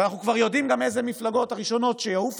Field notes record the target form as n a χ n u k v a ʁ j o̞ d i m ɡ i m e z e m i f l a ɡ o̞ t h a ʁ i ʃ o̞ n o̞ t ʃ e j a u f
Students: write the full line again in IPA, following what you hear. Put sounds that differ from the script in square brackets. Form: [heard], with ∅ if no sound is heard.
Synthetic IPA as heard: n a χ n u k v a ʁ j o̞ d i m ɡ [a] m e z e m i f l a ɡ o̞ t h a ʁ i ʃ o̞ n o̞ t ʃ e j a u f